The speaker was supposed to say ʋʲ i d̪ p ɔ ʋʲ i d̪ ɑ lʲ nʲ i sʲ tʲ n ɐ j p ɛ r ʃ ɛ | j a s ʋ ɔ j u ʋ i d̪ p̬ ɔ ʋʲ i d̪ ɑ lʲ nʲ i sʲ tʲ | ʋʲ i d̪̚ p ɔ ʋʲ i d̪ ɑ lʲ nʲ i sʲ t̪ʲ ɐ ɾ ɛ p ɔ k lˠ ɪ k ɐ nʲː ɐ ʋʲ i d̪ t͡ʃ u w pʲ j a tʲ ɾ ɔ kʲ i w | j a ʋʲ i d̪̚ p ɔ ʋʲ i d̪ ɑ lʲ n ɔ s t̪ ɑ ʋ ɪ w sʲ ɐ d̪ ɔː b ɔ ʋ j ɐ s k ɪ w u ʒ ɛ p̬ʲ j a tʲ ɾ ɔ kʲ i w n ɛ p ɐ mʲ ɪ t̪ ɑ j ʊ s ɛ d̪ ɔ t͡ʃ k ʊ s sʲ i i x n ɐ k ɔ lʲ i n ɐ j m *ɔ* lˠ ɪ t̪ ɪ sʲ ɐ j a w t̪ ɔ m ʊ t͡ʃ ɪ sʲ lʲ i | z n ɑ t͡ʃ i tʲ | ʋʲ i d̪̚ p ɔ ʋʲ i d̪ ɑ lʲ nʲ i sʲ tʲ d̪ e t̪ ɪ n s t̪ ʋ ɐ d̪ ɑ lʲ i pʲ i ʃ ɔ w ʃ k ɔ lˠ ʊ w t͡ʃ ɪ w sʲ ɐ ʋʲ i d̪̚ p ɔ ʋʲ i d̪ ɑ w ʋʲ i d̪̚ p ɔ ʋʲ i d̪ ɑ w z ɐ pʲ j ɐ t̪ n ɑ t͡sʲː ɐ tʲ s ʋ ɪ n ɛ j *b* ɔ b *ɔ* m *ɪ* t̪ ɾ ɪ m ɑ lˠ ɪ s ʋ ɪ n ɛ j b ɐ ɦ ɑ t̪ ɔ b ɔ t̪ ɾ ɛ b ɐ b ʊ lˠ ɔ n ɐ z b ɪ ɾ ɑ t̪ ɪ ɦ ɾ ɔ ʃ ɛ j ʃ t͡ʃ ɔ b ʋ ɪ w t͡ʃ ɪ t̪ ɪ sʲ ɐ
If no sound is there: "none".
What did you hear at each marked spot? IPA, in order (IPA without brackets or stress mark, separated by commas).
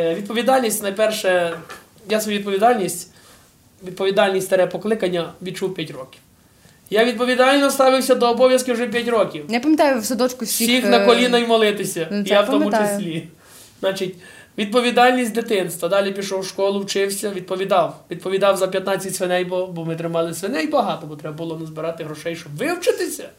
ɔ, b, ɔ, ɪ